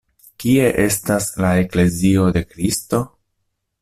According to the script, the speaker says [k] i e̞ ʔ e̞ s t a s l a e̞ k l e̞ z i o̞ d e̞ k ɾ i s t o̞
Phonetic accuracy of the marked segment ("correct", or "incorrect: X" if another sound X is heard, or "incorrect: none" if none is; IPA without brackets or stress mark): correct